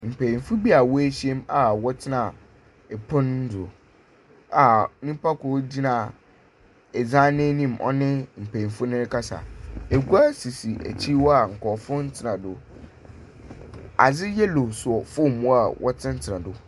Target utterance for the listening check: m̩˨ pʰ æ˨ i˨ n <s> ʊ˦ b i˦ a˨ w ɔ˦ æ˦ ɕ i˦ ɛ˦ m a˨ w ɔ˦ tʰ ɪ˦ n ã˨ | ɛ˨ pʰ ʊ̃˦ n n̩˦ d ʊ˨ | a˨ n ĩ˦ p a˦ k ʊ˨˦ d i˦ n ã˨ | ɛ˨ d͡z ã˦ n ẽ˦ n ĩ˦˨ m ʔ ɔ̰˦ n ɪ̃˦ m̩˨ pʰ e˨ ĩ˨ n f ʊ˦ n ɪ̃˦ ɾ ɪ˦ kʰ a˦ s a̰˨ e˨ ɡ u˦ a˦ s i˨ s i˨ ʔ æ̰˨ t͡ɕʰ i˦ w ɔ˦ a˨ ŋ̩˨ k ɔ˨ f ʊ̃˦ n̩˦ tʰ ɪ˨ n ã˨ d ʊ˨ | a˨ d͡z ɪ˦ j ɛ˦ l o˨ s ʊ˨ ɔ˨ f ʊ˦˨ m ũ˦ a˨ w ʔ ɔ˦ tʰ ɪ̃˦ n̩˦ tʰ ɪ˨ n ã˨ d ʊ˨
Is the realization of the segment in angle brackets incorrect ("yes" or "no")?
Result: yes